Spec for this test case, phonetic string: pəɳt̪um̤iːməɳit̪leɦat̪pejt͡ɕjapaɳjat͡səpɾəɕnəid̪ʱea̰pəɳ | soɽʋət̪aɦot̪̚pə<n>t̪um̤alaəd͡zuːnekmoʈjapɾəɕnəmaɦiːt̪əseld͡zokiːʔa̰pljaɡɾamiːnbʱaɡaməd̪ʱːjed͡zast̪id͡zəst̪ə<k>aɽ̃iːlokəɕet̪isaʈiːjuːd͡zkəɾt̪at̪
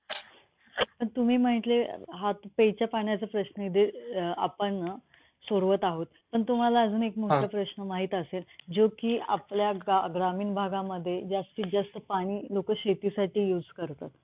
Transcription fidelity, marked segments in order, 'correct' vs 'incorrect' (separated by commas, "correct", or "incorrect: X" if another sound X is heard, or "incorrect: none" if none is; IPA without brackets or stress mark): incorrect: ɳ, incorrect: p